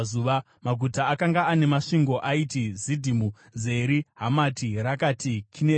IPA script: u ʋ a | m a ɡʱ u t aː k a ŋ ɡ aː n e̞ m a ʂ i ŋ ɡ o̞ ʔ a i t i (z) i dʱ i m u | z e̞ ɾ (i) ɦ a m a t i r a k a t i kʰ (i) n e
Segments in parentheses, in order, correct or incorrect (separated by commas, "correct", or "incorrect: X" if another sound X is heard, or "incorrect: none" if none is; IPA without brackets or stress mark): correct, correct, correct